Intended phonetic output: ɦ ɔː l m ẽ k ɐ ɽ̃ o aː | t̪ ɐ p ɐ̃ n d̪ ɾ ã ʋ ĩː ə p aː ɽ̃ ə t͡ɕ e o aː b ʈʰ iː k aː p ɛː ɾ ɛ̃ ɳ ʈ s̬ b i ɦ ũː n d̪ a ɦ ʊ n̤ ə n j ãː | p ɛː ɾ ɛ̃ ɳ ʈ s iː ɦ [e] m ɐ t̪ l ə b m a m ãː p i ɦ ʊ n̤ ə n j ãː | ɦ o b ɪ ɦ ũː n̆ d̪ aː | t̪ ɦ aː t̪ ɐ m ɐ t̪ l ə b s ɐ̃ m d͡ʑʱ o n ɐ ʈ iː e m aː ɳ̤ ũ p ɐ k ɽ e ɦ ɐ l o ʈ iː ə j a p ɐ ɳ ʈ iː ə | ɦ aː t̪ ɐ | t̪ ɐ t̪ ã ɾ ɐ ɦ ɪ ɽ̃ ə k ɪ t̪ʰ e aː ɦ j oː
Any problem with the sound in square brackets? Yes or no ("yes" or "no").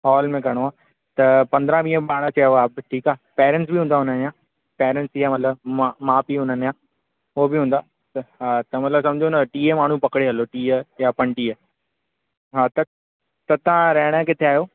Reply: yes